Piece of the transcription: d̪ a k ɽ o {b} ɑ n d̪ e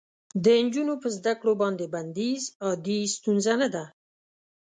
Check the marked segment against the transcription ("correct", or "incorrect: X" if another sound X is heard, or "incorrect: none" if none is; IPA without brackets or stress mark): correct